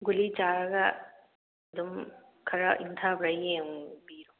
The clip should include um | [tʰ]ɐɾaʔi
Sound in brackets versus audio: incorrect: kʰ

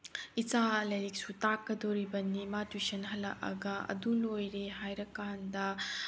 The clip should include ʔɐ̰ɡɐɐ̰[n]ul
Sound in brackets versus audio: incorrect: d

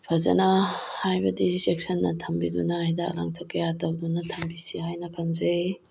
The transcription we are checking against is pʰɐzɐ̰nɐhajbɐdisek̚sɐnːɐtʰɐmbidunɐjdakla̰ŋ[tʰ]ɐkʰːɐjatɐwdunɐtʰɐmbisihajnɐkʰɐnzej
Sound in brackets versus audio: correct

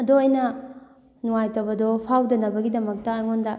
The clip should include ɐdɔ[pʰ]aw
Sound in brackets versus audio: correct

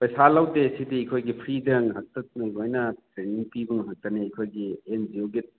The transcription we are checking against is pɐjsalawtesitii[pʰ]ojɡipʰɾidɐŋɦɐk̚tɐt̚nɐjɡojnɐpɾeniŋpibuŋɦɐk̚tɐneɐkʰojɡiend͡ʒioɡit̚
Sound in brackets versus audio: incorrect: kʰ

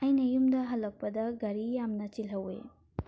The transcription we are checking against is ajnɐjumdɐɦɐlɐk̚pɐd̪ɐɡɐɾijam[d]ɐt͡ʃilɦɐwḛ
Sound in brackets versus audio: incorrect: n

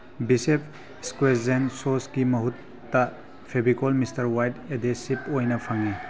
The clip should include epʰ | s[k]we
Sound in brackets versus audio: correct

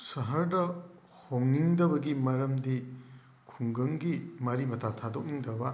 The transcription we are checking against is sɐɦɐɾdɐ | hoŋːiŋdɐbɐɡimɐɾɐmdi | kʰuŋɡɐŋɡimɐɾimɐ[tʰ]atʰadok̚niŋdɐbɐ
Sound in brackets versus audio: correct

